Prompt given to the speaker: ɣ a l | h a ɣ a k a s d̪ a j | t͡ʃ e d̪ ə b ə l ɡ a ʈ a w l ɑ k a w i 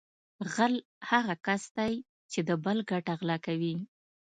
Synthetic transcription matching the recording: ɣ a l | h a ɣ a k a s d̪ a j | t͡ʃ e d̪ ə b ə l ɡ a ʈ a ɣ l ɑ k a w i